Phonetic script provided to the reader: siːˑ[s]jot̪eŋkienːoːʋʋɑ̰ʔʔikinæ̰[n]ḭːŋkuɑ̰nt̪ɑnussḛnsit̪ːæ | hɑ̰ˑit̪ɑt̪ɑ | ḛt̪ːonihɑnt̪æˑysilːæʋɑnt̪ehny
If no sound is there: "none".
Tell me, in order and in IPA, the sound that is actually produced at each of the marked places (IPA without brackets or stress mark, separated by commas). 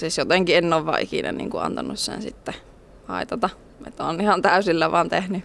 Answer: s, n